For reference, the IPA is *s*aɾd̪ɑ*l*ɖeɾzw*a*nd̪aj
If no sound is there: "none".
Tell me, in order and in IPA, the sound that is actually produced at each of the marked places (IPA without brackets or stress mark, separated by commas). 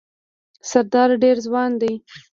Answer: s, ɾ, ɑ